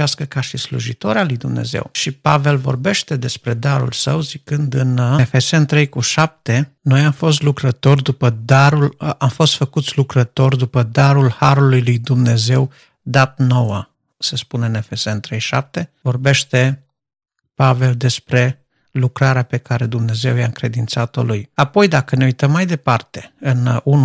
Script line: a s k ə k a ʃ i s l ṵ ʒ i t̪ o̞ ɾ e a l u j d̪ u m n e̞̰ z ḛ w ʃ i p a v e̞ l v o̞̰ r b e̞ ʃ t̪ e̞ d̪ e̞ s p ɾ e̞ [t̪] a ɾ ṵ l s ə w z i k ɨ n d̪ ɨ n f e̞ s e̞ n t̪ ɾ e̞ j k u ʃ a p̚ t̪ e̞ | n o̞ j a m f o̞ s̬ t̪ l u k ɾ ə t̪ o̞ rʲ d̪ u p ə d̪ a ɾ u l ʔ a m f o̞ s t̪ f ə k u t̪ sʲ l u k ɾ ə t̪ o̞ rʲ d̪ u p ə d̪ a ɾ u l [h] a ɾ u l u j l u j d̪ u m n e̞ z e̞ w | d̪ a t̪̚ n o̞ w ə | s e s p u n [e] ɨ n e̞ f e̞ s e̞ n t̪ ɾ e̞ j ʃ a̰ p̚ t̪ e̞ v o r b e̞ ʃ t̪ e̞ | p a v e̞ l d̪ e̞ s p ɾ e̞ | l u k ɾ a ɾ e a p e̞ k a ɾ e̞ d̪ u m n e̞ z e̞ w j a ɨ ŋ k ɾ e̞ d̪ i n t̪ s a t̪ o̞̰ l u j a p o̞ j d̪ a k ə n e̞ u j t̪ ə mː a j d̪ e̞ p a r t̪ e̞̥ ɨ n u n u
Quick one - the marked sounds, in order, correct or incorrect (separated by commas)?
incorrect, correct, correct